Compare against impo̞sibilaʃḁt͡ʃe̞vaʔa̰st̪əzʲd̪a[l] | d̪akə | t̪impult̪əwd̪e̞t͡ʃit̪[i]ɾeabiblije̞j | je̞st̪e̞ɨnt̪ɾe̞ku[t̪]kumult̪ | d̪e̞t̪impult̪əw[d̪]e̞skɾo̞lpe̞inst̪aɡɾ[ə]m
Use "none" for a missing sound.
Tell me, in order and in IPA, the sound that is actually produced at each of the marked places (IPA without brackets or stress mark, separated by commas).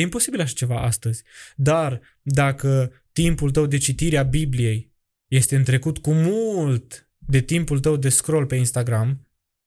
r, i, t̪, d̪, a